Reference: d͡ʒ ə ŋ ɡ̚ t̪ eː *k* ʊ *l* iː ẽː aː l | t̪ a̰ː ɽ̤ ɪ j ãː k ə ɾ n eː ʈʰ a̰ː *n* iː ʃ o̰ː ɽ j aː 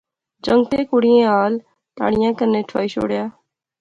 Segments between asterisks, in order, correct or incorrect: correct, incorrect: ɽ, incorrect: none

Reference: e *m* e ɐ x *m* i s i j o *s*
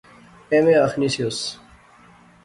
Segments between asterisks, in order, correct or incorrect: correct, incorrect: n, correct

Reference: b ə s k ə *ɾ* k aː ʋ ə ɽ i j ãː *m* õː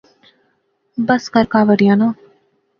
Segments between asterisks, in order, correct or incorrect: correct, incorrect: n

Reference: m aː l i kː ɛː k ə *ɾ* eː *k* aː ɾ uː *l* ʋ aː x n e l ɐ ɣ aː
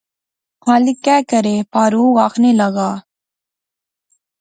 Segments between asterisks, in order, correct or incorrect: correct, incorrect: p, incorrect: none

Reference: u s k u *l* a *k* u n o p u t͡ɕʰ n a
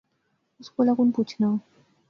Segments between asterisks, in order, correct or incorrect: correct, correct

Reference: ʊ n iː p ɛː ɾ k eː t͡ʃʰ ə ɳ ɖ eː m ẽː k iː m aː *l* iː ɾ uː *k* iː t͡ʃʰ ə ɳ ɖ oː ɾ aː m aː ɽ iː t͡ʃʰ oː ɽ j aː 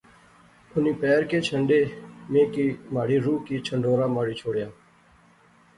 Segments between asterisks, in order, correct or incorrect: incorrect: ɽ, correct

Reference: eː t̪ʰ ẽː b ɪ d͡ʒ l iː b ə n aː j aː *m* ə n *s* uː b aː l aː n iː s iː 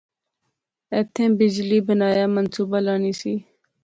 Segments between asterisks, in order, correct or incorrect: correct, correct

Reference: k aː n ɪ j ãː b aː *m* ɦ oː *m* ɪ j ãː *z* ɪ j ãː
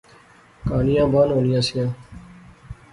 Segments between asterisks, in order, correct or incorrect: incorrect: n, incorrect: n, incorrect: s

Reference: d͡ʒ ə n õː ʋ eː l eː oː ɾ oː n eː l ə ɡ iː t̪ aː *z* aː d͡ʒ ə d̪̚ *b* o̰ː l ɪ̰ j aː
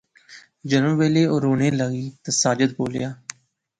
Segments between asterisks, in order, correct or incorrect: incorrect: s, correct

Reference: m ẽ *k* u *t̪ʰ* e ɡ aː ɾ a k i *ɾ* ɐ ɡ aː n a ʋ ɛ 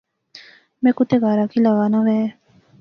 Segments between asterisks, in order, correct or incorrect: correct, incorrect: t̪, incorrect: l

